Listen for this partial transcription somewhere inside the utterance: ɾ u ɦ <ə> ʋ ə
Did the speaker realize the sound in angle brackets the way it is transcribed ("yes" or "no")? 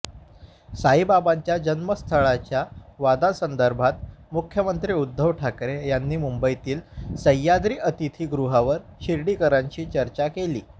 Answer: no